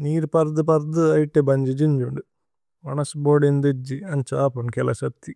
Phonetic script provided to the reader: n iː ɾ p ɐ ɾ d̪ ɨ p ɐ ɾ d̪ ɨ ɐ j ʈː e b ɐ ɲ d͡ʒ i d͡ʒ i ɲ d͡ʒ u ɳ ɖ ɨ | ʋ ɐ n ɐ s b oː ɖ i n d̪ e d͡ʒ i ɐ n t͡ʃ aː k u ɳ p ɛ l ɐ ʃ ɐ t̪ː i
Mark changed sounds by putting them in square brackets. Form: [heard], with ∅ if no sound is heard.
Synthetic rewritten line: n iː ɾ p ɐ ɾ d̪ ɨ p ɐ ɾ d̪ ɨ ɐ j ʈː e b ɐ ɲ d͡ʒ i d͡ʒ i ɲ d͡ʒ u ɳ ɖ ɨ | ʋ ɐ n ɐ s b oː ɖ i n d̪ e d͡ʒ i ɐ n t͡ʃ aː [p] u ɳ [k] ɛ l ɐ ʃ ɐ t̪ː i